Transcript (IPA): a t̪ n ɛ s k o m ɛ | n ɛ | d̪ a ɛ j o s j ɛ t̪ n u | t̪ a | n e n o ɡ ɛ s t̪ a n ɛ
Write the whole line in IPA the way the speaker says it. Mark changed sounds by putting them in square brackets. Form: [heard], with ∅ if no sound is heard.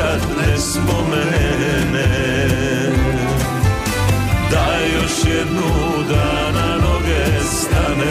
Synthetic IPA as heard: a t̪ n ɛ s [p] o m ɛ | n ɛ | d̪ a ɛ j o [ʃ] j ɛ [d̪] n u | [d̪] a | n [a] n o ɡ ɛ s t̪ a n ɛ